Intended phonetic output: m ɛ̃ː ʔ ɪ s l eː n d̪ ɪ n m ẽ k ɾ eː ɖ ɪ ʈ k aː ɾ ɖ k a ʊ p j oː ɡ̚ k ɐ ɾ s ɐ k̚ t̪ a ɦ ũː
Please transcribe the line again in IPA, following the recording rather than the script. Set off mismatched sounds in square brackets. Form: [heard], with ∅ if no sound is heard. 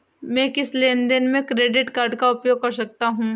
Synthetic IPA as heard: m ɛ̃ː [k] ɪ s l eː n d̪ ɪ n m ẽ k ɾ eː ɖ ɪ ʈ k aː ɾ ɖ k a ʊ p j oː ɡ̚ k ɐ ɾ s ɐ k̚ t̪ a ɦ ũː

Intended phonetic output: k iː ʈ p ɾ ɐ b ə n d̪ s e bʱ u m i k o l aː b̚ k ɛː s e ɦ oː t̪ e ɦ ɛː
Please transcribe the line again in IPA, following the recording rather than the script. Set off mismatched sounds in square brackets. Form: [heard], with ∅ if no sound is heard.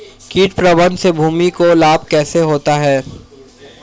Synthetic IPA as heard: k iː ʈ p ɾ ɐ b ə n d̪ s e bʱ [uː] m i k o l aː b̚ k ɛː s e ɦ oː t̪ [a] ɦ ɛː

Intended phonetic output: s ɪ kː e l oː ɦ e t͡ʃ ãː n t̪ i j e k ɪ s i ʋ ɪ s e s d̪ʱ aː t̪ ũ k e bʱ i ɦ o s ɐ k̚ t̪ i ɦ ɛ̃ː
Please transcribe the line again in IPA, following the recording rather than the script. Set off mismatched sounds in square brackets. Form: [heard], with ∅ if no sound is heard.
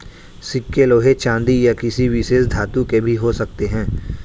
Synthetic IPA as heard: s ɪ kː e l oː ɦ e t͡ʃ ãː n [d̪] i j [a] k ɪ s i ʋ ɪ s e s d̪ʱ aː t̪ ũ k e bʱ i ɦ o s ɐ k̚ t̪ [e] ɦ ɛ̃ː

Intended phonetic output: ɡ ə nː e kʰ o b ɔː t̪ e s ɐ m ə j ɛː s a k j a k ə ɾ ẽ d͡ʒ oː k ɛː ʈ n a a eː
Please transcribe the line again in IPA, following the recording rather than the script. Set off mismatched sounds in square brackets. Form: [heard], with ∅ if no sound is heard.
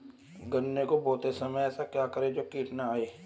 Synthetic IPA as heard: ɡ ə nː e [k] o b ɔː t̪ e s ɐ m ə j ɛː s a k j a k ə ɾ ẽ d͡ʒ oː k [iː] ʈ n a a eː

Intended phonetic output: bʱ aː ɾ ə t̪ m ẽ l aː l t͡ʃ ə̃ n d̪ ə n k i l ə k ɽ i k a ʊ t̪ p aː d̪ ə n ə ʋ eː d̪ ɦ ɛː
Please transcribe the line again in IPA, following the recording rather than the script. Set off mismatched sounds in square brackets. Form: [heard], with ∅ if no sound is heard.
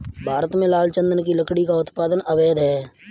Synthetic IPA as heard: bʱ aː ɾ ə t̪ m ẽ l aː l t͡ʃ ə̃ n d̪ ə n k i l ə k ɽ i k a ʊ t̪ p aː d̪ ə n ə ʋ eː d̪ ɦ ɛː

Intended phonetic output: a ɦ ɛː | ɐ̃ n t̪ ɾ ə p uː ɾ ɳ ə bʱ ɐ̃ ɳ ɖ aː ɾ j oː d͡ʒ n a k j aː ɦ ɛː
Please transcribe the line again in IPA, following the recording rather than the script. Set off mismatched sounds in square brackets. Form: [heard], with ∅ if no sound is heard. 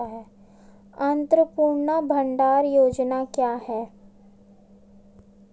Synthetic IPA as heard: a ɦ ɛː | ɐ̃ n t̪ ɾ ə p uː ɾ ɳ [a] bʱ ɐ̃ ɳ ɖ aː ɾ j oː d͡ʒ n a k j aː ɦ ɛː

